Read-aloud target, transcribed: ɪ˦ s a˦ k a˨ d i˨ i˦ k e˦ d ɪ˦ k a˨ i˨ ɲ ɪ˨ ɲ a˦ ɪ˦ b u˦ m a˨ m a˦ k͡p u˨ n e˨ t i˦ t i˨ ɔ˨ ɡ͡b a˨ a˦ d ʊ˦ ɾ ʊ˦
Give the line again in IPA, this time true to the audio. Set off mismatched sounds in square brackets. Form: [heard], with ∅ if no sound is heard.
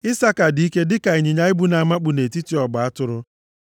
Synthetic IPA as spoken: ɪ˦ s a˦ k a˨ d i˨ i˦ k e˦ d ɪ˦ k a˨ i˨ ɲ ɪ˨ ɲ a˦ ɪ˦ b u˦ [n] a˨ m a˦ k͡p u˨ n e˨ t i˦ t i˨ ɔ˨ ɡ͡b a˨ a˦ [t] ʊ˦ ɾ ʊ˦